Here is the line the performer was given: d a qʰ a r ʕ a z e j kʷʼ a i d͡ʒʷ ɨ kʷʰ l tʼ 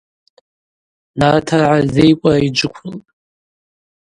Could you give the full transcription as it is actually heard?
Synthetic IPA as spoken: n a tʰ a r ʕ a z e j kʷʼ a i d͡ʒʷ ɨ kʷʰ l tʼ